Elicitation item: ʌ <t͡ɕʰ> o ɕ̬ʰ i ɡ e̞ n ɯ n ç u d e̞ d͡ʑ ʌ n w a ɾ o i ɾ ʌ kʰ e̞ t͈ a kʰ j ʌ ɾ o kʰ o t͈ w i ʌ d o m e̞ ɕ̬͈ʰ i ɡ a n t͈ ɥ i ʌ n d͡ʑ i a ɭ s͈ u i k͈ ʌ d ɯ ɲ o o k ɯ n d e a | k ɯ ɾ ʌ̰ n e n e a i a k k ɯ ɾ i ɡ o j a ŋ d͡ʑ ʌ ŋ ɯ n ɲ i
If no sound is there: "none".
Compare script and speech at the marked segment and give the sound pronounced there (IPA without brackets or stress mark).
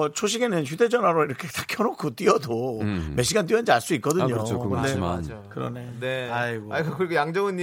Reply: t͡ɕʰ